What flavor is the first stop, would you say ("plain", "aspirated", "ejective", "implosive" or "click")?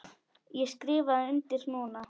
plain